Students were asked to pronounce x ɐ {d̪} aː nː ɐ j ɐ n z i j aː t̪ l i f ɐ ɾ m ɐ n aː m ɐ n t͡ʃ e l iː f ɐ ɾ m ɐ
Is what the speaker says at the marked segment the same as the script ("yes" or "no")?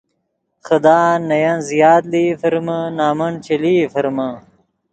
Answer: yes